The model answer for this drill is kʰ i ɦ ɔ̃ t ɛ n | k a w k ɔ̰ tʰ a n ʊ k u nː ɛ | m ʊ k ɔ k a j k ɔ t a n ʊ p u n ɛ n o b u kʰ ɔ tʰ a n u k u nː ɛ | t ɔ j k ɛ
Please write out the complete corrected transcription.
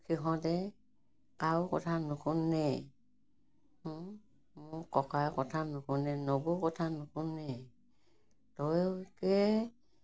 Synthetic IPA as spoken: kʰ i ɦ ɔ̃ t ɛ | k a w k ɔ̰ tʰ a n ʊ k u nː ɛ | m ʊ k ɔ k a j k ɔ tʰ a n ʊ k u n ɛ n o b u k ɔ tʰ a n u k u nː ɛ | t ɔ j k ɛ

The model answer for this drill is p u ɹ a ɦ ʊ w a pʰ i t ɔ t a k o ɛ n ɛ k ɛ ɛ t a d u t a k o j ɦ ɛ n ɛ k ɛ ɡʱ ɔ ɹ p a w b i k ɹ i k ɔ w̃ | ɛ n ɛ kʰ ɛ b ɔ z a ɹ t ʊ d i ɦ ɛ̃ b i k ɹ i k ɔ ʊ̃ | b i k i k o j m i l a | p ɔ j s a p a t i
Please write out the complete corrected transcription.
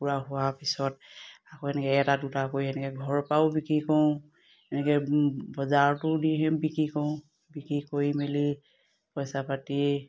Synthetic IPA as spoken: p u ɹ a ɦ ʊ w a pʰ i s ɔ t a k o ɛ n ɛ k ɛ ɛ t a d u t a k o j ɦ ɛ n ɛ k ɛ ɡʱ ɔ ɹ p a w b i k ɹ i k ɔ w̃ | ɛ n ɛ k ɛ b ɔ z a ɹ t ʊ d i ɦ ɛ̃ b i k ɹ i k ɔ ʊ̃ | b i k i k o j m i l i | p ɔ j s a p a t i

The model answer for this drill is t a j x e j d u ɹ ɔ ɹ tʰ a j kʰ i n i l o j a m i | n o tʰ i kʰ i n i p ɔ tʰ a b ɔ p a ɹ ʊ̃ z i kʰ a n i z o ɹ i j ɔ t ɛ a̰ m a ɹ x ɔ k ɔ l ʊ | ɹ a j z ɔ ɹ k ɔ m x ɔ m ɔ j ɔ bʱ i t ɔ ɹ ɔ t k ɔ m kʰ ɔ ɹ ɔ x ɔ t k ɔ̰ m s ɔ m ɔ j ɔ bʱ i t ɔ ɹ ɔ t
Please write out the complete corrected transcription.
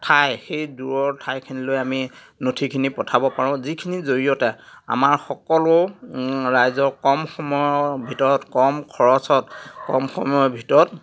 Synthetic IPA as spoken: tʰ a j x e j d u ɹ ɔ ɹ tʰ a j kʰ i n i l o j a m i | n o tʰ i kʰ i n i p ɔ tʰ a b ɔ p a ɹ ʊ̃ z i kʰ i n i z o ɹ i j ɔ t ɛ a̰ m a ɹ x ɔ k ɔ l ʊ | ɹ a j z ɔ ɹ k ɔ m x ɔ m ɔ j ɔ bʱ i t ɔ ɹ ɔ t k ɔ m kʰ ɔ ɹ ɔ s ɔ t k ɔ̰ m x ɔ m ɔ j ɔ bʱ i t ɔ ɹ ɔ t

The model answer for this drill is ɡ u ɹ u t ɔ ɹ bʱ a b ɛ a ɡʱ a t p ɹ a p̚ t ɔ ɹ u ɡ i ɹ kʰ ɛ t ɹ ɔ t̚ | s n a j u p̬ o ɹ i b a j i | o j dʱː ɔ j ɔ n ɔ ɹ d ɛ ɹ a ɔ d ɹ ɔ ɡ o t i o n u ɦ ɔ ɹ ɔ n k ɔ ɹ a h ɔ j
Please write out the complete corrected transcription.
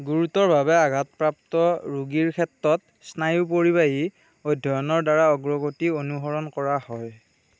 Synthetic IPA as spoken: ɡ u ɹ u t ɔ ɹ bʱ a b ɛ a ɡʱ a t p ɹ a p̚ t ɔ ɹ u ɡ i ɹ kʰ ɛ t ɹ ɔ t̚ | s n a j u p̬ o ɹ i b a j i | o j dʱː ɔ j ɔ n ɔ ɹ d a ɹ a ɔ ɡ ɹ ɔ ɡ o t i o n u ɦ ɔ ɹ ɔ n k ɔ ɹ a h ɔ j

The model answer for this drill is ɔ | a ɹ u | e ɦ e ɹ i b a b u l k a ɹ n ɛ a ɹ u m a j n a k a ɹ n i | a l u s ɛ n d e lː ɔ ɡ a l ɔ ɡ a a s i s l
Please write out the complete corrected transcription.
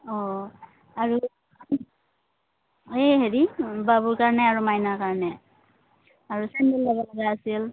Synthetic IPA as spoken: ɔ | a ɹ u | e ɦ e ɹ i b a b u ɹ k a ɹ n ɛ a ɹ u m a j n a k a ɹ n ɛ | a ɹ u s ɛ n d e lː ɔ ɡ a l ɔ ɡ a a s i l

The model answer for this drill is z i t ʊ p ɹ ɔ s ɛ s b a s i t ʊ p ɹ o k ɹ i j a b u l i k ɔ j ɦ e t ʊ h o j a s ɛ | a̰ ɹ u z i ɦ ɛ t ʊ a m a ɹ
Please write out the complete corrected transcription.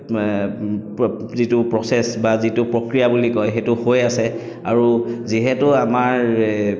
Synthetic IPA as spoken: z i t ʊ p ɹ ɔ s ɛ s b a z i t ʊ p ɹ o k ɹ i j a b u l i k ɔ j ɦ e t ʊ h o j a s ɛ | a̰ ɹ u z i ɦ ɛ t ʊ a m a ɹ

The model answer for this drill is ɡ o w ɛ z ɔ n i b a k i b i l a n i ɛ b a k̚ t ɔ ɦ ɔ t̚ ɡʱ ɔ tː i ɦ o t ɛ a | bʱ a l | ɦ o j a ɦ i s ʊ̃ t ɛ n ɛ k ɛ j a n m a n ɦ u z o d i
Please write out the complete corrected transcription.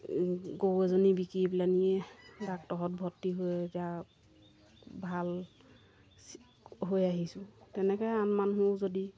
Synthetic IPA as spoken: ɡ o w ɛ z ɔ n i b i k i b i l a n i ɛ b a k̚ t ɔ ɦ ɔ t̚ bʱ ɔ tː i ɦ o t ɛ a | bʱ a l | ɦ o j a ɦ i s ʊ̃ t ɛ n ɛ k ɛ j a n m a n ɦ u z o d i

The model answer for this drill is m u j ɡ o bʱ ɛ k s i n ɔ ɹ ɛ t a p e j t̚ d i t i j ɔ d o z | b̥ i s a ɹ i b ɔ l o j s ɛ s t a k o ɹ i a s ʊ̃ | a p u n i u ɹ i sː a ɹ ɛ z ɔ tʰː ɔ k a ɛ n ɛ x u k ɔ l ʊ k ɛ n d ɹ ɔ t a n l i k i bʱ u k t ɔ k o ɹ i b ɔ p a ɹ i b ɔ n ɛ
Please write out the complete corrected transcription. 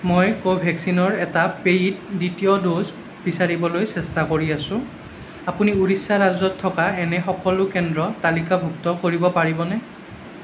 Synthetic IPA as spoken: m o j k o bʱ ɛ k s i n ɔ ɹ ɛ t a p e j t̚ d i t i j ɔ d o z | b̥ i s a ɹ i b ɔ l o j s ɛ s t a k o ɹ i a s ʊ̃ | a p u n i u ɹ i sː a ɹ a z ɔ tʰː ɔ k a ɛ n ɛ x ɔ k ɔ l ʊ k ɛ n d ɹ ɔ t a l i k a bʱ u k t ɔ k o ɹ i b ɔ p a ɹ i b ɔ n ɛ

